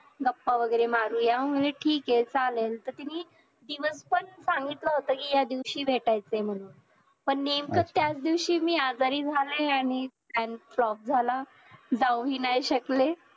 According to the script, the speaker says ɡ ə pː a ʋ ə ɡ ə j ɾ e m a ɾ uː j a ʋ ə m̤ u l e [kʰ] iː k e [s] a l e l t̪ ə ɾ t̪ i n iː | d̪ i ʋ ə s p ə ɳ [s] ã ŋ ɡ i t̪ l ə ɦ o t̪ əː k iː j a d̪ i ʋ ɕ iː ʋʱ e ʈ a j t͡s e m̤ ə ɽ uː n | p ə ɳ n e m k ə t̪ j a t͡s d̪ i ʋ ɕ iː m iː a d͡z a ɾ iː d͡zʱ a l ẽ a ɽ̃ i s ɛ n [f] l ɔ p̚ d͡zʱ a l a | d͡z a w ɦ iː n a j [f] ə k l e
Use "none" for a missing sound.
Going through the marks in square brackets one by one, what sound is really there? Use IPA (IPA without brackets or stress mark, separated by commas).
ʈʰ, t͡s, s, f, ɕ